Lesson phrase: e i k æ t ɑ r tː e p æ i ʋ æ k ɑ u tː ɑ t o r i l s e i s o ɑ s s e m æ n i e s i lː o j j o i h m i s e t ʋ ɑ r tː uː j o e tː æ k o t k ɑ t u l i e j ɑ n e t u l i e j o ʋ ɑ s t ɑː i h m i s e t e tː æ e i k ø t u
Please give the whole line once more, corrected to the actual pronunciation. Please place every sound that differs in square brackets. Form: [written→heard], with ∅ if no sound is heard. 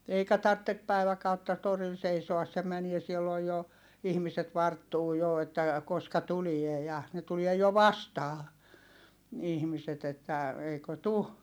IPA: e i k æ t ɑ r tː e p æ i ʋ æ k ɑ u tː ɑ t o r i l s e i s o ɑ s s e m æ n i e s i lː o j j o i h m i s e t ʋ ɑ r tː uː j o e tː æ k o [t→s] k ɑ t u l i e j ɑ n e t u l i e j o ʋ ɑ s t ɑː i h m i s e t e tː æ e i k ø t u